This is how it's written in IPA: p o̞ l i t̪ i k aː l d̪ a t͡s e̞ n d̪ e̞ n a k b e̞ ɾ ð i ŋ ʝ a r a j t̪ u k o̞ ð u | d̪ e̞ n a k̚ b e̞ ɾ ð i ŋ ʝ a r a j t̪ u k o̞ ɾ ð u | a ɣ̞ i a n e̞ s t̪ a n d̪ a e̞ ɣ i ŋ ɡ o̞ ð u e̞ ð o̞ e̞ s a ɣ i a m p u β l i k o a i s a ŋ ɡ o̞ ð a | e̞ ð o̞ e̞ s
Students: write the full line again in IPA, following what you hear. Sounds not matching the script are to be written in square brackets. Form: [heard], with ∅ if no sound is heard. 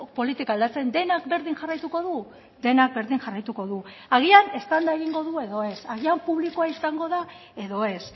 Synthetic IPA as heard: p o̞ l i t̪ i k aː l d̪ a t͡s e̞ n d̪ e̞ n a k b e̞ ɾ ð i ŋ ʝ a r a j t̪ u k o̞ ð u | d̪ e̞ n a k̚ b e̞ ɾ ð i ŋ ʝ a r a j t̪ u k o̞ [∅] ð u | a ɣ̞ i a n e̞ s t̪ a n d̪ a e̞ ɣ i ŋ ɡ o̞ ð u e̞ ð o̞ e̞ s a ɣ i a m p u β l i k o a i s a ŋ ɡ o̞ ð a | e̞ ð o̞ e̞ s